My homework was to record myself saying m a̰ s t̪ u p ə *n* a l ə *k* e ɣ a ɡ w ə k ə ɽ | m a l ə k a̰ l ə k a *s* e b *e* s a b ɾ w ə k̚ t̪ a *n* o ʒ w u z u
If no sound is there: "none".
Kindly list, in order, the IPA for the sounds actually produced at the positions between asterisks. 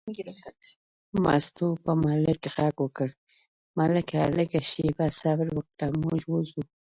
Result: m, k, ʃ, a, m

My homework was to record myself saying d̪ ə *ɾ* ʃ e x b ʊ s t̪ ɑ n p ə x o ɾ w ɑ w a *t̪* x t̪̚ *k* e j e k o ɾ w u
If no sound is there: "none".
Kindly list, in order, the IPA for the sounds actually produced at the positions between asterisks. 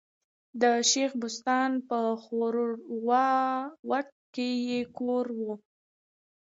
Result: none, none, k

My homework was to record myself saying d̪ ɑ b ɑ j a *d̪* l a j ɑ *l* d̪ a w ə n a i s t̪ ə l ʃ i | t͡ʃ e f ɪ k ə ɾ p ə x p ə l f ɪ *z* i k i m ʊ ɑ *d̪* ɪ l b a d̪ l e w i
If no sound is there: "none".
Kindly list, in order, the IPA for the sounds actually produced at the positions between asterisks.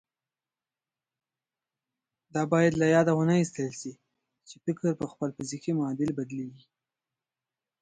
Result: d̪, none, z, d̪

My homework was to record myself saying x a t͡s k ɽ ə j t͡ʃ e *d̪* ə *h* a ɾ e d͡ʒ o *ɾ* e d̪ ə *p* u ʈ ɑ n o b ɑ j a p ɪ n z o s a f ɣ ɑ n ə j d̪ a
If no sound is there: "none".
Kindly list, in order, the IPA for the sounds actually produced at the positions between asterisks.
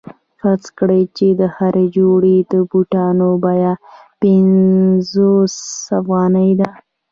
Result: d̪, h, ɽ, b

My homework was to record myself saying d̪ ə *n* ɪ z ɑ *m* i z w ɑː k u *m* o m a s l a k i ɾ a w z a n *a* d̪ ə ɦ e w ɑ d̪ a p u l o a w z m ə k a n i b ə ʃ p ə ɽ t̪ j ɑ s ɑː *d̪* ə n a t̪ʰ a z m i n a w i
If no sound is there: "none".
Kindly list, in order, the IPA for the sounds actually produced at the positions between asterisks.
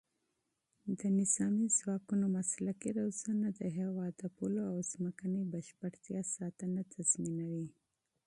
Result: n, m, n, a, t̪

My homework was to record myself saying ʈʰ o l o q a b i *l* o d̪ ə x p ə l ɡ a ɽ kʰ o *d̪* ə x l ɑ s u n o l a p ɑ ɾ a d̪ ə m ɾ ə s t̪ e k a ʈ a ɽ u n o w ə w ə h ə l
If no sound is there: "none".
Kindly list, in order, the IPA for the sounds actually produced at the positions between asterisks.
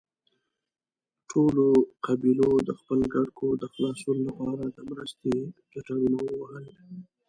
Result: l, d̪

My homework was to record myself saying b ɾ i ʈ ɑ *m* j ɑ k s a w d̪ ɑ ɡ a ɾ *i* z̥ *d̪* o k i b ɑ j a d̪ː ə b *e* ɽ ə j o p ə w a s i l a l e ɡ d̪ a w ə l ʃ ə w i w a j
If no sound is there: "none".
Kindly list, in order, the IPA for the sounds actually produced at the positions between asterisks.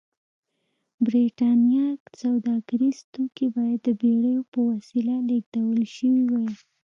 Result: n, i, t̪, e

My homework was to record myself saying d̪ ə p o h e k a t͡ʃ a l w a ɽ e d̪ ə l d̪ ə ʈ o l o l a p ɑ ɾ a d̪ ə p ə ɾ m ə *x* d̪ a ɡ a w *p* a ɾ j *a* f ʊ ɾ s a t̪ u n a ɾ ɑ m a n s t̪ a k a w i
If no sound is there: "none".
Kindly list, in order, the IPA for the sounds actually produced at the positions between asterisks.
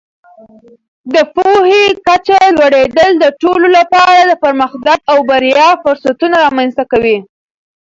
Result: x, b, ɑ

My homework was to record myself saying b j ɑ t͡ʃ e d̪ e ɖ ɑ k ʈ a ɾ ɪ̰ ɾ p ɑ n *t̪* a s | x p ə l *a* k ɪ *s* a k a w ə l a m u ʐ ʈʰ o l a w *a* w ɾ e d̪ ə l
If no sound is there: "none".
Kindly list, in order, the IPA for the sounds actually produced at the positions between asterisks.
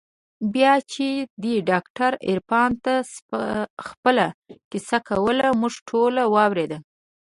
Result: t̪, a, s, ɑ

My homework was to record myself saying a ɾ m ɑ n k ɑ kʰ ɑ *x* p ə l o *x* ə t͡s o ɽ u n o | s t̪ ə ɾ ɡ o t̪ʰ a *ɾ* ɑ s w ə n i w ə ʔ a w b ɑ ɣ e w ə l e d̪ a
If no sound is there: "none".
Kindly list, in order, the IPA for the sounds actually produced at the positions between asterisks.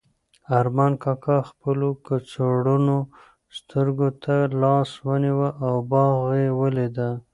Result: x, k, l

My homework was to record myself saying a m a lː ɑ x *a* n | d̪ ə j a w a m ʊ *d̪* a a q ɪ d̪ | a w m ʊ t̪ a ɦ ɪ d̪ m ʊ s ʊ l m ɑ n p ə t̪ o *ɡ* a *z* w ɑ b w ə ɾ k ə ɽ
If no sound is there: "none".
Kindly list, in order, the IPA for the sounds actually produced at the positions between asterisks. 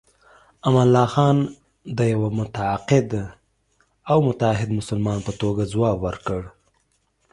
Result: ɑ, t̪, ɡ, z

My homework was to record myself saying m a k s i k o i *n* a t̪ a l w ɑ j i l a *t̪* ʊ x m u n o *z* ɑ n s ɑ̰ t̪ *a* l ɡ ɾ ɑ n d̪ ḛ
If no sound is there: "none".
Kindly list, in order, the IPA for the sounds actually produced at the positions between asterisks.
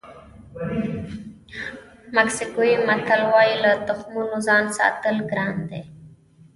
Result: m, t̪, z, ə

